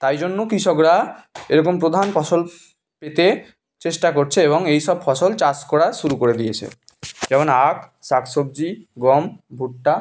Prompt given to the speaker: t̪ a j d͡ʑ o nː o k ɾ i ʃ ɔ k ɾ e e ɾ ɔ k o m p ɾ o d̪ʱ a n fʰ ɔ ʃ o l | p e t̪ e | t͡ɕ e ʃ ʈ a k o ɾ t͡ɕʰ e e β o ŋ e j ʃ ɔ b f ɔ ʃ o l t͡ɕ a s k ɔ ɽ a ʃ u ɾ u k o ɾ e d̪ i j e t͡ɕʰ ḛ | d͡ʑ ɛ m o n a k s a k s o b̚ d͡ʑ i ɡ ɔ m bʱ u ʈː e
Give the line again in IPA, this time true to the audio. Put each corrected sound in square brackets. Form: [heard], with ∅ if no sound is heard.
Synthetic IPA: t̪ a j d͡ʑ o nː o k ɾ i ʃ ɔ k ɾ [a] e ɾ ɔ k o m p ɾ o d̪ʱ a n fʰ ɔ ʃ o l | p e t̪ e | t͡ɕ e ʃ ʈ a k o ɾ t͡ɕʰ e e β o ŋ e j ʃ ɔ b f ɔ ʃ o l t͡ɕ a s k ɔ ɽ a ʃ u ɾ u k o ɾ e d̪ i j e t͡ɕʰ ḛ | d͡ʑ ɛ m o n a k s a k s o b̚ d͡ʑ i ɡ ɔ m bʱ u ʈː [a]